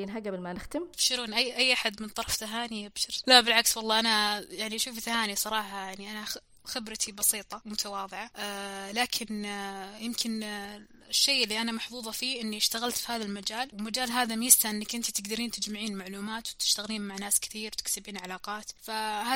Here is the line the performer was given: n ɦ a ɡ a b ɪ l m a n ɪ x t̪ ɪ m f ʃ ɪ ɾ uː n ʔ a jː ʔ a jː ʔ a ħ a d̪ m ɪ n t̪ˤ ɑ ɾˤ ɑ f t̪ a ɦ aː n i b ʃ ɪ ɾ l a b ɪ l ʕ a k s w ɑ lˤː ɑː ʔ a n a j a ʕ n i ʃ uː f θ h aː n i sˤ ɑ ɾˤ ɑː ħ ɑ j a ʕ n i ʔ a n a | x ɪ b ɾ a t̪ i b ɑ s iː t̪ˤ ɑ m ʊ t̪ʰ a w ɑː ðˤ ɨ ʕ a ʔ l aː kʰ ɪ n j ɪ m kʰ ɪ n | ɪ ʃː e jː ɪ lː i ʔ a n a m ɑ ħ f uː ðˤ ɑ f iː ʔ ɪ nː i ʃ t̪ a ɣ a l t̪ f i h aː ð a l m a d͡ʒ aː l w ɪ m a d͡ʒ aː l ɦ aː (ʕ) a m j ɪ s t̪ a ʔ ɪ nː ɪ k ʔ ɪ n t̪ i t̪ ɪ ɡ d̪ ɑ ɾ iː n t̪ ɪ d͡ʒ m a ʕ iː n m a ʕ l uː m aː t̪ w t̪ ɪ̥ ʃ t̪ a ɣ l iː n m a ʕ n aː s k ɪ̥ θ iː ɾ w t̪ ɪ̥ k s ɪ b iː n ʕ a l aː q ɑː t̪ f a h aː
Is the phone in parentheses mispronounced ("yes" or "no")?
yes